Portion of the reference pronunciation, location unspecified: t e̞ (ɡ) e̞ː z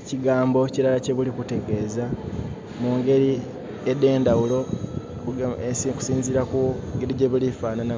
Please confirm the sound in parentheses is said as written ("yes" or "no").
yes